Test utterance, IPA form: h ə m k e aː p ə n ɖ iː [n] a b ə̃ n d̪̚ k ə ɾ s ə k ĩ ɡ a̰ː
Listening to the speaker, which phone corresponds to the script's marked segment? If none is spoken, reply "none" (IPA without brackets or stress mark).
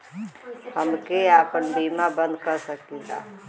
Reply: m